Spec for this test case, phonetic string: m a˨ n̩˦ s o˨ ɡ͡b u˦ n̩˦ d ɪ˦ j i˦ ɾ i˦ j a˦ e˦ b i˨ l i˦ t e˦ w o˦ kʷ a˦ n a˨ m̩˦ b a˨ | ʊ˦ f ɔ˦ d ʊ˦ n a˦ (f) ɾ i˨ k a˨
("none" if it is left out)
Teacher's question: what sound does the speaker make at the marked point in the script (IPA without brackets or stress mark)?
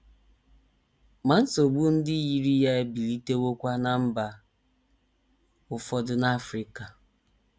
f